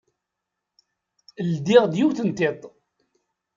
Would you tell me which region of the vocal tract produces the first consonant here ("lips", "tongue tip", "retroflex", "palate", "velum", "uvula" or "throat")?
tongue tip